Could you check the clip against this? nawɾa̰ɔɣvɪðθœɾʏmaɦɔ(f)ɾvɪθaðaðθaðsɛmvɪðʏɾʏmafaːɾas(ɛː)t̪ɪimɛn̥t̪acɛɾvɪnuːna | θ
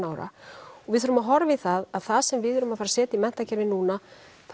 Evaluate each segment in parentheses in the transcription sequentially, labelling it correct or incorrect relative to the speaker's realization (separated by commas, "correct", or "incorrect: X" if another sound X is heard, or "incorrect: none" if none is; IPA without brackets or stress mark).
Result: incorrect: none, correct